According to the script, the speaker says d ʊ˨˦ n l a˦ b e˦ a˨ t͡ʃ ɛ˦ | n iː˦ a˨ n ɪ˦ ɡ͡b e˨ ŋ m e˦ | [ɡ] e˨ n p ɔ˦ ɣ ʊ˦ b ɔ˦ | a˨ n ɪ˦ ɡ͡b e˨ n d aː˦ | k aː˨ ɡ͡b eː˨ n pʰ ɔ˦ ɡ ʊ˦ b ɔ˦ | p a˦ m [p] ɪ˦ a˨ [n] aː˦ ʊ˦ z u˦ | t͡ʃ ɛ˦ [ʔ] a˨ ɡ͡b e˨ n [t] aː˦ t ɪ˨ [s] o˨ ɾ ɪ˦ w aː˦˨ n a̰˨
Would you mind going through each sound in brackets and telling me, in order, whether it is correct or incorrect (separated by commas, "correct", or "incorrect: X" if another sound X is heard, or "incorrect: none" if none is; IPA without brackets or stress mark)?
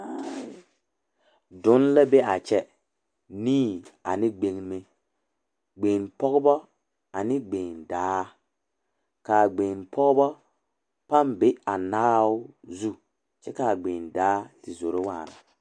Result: incorrect: ɡ͡b, incorrect: b, correct, incorrect: k, incorrect: d, incorrect: z